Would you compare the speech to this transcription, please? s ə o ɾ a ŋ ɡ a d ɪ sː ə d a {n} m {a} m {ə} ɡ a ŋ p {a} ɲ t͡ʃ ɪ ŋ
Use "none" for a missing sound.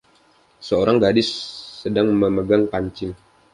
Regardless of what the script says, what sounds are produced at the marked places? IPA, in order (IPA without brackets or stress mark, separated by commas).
ŋ, ə, ə, a